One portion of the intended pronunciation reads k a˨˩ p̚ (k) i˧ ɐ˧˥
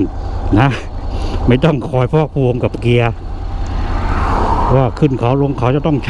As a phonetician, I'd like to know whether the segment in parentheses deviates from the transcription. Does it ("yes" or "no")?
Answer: no